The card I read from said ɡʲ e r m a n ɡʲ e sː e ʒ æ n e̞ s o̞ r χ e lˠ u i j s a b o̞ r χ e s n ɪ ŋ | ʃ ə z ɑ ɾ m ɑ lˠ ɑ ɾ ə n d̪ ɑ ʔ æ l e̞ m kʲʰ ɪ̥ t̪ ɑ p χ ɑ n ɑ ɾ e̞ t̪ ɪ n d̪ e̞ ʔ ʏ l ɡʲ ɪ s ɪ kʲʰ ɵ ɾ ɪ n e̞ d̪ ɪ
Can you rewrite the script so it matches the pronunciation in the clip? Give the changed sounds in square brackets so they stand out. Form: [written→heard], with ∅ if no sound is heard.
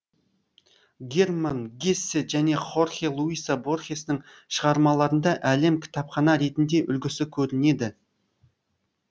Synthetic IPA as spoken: ɡʲ e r m a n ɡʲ e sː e ʒ æ n e̞ [s→χ] o̞ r χ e lˠ u i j s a b o̞ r χ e s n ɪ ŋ | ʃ ə [z→ʁ] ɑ ɾ m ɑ lˠ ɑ ɾ ə n d̪ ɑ ʔ æ l e̞ m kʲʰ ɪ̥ t̪ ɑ p χ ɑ n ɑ ɾ e̞ t̪ ɪ n d̪ e̞ ʔ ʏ l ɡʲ ɪ s ɪ kʲʰ ɵ ɾ ɪ n e̞ d̪ ɪ